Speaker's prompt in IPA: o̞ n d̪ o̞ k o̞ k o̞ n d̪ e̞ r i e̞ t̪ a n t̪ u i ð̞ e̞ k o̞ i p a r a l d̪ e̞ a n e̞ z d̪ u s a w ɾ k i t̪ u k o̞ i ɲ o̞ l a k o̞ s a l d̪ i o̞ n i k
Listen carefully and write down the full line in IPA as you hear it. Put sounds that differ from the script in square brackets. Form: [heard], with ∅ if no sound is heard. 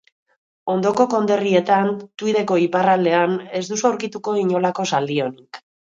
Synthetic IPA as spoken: o̞ n d̪ o̞ k o̞ k o̞ n d̪ e̞ r i e̞ t̪ a n t̪ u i ð̞ e̞ k o̞ i p a r a l d̪ e̞ a n e̞ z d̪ u s a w ɾ k i t̪ u k o̞ i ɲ o̞ l a k o̞ s a l d̪ i o̞ n i k